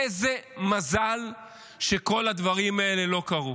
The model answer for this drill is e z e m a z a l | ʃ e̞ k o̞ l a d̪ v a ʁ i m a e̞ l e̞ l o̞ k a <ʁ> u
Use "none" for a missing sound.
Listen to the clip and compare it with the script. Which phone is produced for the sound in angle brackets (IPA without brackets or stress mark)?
ʁ